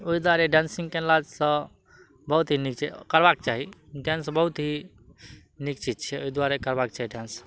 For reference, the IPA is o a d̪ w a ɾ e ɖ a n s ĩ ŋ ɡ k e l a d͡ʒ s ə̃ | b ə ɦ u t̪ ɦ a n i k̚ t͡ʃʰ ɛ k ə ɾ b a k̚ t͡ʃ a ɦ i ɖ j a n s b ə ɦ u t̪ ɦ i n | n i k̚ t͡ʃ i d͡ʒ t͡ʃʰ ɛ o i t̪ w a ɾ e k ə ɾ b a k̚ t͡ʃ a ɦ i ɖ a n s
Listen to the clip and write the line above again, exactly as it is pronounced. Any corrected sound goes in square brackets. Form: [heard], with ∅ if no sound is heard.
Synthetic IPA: o [i] d̪ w a ɾ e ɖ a n s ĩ ŋ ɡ k e l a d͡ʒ s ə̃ | b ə ɦ u t̪ ɦ [i] n i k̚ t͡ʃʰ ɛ k ə ɾ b a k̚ t͡ʃ a ɦ i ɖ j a n s b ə ɦ u t̪ ɦ i [∅] | n i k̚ t͡ʃ i d͡ʒ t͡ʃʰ ɛ o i [d̪] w a ɾ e k ə ɾ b a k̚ t͡ʃ a ɦ i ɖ a n s